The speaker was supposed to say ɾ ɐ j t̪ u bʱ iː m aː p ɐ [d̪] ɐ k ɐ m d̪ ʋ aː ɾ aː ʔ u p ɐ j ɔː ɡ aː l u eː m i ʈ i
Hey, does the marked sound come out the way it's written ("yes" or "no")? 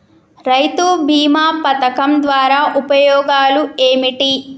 no